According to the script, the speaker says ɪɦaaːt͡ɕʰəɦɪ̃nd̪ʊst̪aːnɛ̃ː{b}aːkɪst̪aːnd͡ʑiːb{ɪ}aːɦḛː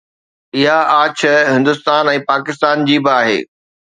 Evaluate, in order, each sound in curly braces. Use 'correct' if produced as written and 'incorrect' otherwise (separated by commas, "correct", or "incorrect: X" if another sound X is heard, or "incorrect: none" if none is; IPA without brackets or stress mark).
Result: incorrect: p, correct